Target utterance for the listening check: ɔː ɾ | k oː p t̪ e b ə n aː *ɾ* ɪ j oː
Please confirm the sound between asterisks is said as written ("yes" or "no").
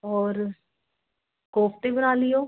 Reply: no